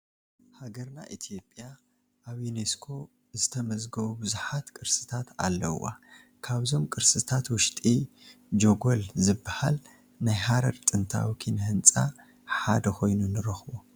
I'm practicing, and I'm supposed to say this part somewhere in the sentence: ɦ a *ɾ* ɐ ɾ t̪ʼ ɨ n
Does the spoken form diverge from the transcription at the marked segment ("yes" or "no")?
no